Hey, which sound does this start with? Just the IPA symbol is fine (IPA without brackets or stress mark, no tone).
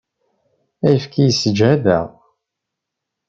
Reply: æ